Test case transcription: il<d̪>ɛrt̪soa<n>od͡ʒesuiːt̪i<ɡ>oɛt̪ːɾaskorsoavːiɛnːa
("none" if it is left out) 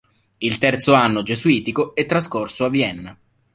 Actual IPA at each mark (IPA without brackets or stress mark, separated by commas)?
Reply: t̪, nː, k